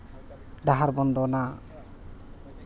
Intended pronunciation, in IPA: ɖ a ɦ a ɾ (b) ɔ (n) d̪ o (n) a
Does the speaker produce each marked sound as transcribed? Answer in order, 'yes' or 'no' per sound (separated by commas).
yes, yes, yes